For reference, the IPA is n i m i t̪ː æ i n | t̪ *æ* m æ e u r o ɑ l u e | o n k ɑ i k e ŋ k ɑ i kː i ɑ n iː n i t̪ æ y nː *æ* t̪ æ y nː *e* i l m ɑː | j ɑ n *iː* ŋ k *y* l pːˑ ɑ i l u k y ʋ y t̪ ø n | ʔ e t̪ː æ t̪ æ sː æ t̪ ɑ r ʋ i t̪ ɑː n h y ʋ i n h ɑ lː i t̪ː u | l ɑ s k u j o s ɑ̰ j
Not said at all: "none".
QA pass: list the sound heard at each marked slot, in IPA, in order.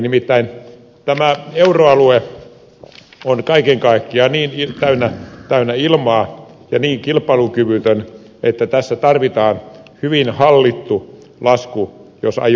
æ, æ, æ, iː, i

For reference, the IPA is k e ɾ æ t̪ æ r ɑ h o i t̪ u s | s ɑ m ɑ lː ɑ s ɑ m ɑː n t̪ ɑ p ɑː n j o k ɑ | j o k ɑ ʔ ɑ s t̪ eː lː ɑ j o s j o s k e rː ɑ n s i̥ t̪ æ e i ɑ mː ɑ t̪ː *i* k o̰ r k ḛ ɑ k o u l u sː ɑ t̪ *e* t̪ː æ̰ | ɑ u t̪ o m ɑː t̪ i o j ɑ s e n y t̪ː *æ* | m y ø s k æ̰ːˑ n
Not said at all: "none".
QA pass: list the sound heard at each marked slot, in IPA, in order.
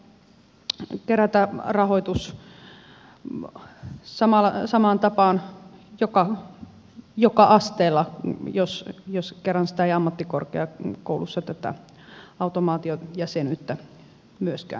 i, æ, æ

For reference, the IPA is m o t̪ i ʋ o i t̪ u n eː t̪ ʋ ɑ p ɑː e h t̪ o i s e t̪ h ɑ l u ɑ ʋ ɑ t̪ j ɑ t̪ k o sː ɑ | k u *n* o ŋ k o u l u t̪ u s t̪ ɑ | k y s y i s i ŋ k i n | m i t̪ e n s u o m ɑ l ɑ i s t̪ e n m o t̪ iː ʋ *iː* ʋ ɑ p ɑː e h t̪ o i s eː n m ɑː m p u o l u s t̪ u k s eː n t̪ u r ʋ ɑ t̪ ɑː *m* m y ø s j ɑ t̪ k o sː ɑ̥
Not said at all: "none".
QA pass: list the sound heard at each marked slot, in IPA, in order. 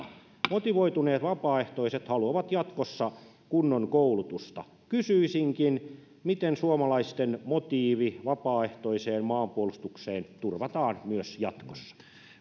nː, i, n

